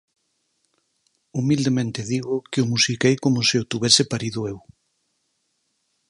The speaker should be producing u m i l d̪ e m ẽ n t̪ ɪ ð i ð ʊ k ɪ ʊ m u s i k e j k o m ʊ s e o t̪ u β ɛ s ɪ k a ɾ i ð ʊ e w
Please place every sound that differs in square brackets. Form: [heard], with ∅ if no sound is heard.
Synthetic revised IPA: u m i l d̪ e m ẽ n t̪ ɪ ð i [ɣ] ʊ k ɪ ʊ m u s i k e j k o m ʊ s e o t̪ u β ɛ s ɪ [p] a ɾ i ð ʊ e w